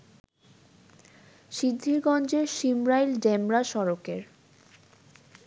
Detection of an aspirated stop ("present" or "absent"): absent